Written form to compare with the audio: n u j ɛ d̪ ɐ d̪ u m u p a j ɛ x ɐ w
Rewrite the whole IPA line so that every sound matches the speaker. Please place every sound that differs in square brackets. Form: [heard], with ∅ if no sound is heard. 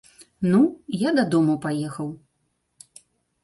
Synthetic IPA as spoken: n u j [a] d̪ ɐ d̪ [ɔ] m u p a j ɛ x ɐ w